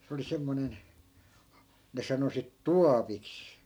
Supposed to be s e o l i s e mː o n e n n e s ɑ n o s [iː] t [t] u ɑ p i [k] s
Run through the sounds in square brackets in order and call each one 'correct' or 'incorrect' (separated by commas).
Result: incorrect, correct, correct